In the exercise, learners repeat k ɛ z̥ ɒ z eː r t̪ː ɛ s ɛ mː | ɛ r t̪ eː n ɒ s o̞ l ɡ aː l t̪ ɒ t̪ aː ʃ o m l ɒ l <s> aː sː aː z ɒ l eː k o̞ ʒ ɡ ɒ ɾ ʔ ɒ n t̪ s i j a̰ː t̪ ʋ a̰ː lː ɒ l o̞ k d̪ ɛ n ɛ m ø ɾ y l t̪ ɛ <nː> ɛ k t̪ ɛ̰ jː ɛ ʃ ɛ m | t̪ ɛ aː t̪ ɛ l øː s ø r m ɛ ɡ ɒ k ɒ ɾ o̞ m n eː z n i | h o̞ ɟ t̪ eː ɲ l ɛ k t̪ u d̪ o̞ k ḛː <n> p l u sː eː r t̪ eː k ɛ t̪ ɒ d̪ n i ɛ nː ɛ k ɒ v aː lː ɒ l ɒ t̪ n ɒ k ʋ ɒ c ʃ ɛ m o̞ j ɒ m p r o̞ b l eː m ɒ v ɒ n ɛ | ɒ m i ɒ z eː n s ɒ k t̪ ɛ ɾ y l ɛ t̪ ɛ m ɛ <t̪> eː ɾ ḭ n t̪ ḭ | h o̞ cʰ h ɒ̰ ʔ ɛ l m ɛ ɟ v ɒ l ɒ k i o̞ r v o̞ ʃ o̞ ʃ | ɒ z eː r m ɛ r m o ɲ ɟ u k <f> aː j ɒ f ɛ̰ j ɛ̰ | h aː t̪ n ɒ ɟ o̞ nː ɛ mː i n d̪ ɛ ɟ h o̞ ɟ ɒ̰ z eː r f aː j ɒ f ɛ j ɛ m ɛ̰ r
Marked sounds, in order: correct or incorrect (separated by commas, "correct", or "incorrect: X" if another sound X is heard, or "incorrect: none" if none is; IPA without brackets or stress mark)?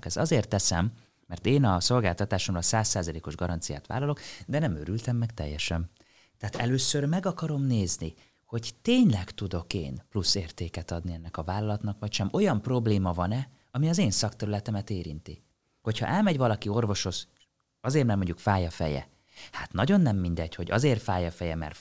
correct, incorrect: mː, correct, correct, correct